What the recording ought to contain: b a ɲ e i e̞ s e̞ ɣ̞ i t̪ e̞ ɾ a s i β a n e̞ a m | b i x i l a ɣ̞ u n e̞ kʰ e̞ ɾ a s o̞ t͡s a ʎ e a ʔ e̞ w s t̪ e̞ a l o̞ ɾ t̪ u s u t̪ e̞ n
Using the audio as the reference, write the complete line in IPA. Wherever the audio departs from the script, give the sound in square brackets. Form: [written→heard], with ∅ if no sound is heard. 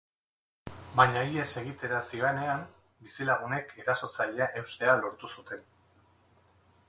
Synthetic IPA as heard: b a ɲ [e→a] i e̞ s e̞ ɣ̞ i t̪ e̞ ɾ a s i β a n e̞ a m | b i [x→s] i l a ɣ̞ u n e̞ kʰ e̞ ɾ a s o̞ t͡s a ʎ e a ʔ e̞ w s t̪ e̞ a l o̞ ɾ t̪ u s u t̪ e̞ n